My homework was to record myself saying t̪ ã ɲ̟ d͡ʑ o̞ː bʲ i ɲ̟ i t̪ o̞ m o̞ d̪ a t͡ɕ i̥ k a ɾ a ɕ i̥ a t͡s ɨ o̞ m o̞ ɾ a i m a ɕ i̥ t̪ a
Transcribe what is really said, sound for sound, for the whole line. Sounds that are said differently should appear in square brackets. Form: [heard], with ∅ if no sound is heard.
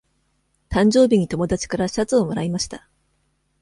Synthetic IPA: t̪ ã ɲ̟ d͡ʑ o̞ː bʲ i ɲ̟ i t̪ o̞ m o̞ d̪ a t͡ɕ i̥ k a ɾ a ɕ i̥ a t͡s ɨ o̞ m o̞ ɾ a i m a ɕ i̥ t̪ a